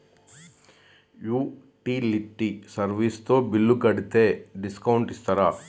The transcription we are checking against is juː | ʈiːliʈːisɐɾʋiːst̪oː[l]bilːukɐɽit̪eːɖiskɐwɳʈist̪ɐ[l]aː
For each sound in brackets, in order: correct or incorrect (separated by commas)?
incorrect, incorrect